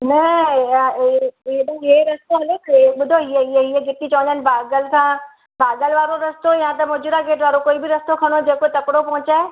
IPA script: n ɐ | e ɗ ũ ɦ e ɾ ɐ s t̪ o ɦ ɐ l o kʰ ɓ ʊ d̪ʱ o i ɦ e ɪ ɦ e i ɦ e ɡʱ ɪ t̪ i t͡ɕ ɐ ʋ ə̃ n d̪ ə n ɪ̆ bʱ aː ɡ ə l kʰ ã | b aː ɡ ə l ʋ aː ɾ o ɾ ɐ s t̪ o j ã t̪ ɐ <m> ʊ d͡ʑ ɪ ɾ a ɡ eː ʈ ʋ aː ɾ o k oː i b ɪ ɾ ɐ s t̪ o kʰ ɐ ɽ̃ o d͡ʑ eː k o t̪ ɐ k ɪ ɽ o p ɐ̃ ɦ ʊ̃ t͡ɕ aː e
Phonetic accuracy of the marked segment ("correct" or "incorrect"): correct